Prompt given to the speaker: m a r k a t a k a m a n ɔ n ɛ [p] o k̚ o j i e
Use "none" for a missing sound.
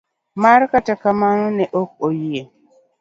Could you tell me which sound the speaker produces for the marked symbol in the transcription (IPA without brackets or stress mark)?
ʔ